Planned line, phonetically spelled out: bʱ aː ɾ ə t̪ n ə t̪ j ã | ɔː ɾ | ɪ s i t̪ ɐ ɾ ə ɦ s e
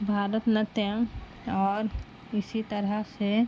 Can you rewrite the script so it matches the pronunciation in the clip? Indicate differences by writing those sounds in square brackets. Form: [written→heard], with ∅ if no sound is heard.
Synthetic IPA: bʱ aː ɾ ə t̪ n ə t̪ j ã | ɔː ɾ | ɪ s i t̪ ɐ ɾ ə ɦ s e